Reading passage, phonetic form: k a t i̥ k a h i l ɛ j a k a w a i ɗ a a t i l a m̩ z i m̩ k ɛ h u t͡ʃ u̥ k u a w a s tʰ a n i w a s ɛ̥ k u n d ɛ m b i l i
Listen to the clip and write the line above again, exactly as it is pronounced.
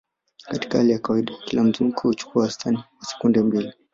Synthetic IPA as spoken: k a t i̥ k a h a l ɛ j a k a w a i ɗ a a k i l a m̩ z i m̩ k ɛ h u t͡ʃ u̥ k u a w a s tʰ a n i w a s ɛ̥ k u n d ɛ m b i l i